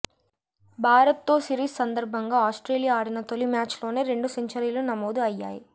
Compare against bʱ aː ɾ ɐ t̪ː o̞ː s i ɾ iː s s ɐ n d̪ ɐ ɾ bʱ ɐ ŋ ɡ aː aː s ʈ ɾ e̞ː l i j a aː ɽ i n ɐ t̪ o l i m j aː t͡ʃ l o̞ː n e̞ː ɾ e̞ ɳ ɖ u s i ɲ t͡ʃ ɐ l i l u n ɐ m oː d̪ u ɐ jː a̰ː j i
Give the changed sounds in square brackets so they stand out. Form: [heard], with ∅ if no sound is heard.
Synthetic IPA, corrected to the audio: bʱ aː ɾ ɐ t̪ː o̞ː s i ɾ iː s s ɐ n d̪ ɐ ɾ bʱ ɐ ŋ ɡ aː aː s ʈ ɾ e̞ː l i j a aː ɽ i n ɐ t̪ o l i m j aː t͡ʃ l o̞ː n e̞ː ɾ e̞ ɳ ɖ u s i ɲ t͡ʃ ɐ [ɾ] i l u n ɐ m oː d̪ u ɐ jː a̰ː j i